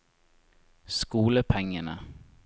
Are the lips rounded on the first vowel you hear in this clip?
yes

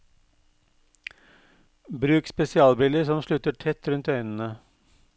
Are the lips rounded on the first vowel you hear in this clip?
yes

